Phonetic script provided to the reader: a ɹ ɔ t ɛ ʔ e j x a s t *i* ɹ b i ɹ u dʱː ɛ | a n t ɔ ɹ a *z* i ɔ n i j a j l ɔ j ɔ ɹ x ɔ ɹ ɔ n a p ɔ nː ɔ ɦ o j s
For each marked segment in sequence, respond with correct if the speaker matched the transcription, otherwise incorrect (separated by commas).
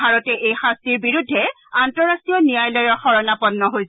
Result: correct, incorrect